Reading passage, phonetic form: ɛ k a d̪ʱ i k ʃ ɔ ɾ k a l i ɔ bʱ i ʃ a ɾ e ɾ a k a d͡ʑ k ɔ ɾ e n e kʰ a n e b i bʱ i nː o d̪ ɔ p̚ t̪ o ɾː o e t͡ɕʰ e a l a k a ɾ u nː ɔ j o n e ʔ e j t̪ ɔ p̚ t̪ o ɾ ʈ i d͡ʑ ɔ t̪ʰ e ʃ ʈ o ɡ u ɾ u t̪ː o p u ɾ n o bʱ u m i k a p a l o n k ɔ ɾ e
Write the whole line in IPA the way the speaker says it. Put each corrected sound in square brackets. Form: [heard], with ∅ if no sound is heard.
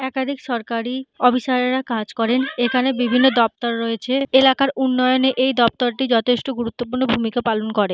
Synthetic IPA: ɛ k a d̪ʱ i k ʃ ɔ ɾ k a [ɾ] i ɔ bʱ i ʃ a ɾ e ɾ a k a d͡ʑ k ɔ ɾ e n e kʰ a n e b i bʱ i nː o d̪ ɔ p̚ t̪ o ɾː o e t͡ɕʰ e [e] l a k a ɾ u nː ɔ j o n e ʔ e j [d̪] ɔ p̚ t̪ o ɾ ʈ i d͡ʑ ɔ t̪ʰ e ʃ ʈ o ɡ u ɾ u t̪ː o p u ɾ n o bʱ u m i k a p a l o n k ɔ ɾ e